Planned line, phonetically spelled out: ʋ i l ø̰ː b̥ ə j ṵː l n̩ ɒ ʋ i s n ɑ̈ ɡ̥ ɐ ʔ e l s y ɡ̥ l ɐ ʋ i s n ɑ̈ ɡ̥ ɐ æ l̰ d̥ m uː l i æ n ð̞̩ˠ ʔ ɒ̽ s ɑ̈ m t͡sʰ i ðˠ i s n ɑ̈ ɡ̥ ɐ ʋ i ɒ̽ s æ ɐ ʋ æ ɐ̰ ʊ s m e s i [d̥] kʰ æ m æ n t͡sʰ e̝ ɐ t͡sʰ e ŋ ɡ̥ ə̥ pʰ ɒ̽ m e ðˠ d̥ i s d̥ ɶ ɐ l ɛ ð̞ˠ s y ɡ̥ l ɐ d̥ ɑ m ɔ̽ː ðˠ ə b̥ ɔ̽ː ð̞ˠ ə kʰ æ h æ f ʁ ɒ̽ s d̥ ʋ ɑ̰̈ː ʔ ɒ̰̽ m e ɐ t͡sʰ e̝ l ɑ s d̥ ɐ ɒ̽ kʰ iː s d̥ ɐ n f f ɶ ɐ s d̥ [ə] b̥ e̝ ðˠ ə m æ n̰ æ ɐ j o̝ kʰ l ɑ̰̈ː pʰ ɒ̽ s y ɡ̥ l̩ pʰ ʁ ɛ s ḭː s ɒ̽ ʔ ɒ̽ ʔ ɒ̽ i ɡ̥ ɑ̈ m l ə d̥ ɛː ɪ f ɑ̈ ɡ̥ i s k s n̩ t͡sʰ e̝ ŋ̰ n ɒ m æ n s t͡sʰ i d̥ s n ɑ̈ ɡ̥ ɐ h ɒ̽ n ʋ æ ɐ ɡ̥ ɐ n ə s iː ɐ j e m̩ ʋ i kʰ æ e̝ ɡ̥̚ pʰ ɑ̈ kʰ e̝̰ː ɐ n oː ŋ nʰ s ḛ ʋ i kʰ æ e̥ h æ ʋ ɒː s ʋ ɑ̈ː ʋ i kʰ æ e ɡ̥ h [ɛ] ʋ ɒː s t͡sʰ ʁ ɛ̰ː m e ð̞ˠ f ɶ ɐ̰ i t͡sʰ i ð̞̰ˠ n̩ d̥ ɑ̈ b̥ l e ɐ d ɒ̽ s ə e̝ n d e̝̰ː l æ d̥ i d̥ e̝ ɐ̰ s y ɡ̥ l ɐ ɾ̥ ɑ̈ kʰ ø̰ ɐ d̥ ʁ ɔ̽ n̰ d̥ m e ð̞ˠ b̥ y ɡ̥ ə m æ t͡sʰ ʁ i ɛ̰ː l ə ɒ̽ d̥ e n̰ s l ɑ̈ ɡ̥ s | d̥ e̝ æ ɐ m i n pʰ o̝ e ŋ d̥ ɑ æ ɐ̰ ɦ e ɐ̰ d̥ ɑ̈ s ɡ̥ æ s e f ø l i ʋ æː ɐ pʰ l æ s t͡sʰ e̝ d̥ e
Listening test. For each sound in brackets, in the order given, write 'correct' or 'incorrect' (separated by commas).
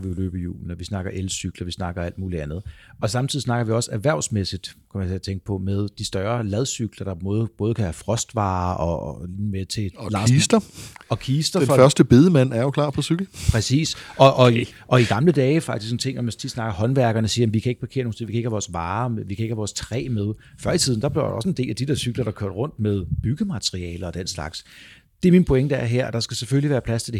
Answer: correct, correct, incorrect